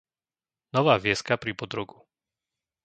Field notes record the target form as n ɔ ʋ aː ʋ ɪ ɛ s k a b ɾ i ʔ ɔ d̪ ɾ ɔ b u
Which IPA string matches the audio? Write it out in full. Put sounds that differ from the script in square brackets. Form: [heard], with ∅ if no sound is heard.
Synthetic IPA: n ɔ ʋ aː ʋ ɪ ɛ s k a [p] ɾ i [p] ɔ d̪ ɾ ɔ [ɡ] u